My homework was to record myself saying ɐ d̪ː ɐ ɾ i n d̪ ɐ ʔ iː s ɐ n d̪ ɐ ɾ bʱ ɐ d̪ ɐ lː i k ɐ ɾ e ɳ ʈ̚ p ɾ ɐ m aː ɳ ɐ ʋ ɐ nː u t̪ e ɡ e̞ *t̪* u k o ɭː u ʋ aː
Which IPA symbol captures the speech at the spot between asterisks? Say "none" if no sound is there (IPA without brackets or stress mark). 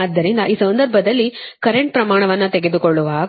d̪